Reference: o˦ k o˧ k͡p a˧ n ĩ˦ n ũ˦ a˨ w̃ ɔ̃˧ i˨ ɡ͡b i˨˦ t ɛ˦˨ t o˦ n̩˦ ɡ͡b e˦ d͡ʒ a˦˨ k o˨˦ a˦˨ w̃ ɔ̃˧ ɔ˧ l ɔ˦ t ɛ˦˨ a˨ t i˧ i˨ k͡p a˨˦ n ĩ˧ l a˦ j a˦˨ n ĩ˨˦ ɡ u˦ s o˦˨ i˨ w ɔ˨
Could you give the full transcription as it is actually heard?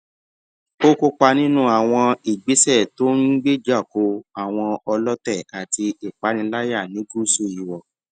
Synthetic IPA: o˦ k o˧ k͡p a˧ n ĩ˦ n ũ˦ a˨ w̃ ɔ̃˧ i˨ ɡ͡b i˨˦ s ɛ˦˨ t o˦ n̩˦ ɡ͡b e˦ d͡ʒ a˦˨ k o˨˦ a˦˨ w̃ ɔ̃˧ ɔ˧ l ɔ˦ t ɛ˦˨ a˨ t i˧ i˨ k͡p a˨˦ n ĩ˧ l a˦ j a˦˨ n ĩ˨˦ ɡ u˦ s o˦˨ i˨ w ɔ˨